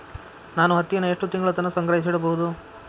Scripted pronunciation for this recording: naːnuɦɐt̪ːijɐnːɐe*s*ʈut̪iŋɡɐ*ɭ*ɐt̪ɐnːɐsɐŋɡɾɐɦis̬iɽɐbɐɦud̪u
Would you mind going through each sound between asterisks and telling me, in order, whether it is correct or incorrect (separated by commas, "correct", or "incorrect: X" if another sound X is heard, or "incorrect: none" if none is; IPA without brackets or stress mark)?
incorrect: ʂ, correct